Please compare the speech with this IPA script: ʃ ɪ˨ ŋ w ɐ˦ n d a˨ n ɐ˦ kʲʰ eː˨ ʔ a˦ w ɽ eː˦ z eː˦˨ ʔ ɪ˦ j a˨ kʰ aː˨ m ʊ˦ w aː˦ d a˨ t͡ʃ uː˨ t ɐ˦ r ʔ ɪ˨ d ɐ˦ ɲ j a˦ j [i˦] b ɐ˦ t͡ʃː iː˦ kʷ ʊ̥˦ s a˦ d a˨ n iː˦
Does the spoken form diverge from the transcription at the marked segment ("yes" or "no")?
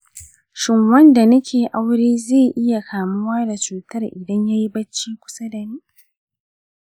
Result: no